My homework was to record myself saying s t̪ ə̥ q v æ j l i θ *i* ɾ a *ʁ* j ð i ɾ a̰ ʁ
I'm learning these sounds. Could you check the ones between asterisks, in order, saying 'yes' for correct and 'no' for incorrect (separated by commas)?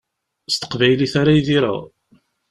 no, no